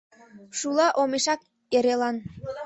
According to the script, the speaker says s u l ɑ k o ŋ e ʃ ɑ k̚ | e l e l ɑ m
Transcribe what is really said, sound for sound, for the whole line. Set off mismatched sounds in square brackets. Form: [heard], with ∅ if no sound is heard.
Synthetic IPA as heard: [ʃ] u l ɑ [ʔ] o [m] e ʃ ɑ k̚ | e [ɾ] e l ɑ [n]